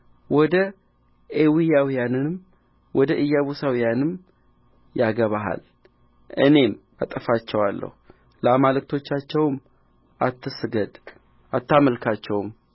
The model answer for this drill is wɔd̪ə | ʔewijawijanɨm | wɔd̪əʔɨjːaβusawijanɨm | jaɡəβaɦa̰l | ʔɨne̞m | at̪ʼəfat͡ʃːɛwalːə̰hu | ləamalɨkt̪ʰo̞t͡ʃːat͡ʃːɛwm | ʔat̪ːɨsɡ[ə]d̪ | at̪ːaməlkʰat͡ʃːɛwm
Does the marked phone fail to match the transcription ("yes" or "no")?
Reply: no